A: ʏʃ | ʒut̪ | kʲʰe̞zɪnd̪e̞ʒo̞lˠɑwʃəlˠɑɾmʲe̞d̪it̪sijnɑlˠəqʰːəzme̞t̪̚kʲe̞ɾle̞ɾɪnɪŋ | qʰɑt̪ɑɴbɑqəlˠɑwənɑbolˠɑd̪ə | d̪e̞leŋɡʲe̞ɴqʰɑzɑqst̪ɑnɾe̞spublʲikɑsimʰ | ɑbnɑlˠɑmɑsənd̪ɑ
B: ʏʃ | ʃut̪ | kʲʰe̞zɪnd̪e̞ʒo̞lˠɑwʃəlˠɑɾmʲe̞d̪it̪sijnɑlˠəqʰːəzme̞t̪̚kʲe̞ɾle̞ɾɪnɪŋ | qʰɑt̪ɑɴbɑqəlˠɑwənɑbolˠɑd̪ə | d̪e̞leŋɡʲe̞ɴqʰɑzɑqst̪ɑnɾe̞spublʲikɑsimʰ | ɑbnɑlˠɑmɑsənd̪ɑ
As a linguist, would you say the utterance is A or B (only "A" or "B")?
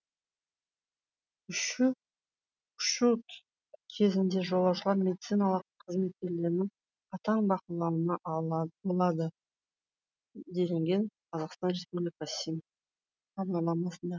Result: B